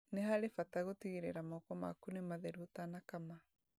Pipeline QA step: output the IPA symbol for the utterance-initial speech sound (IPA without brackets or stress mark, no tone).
n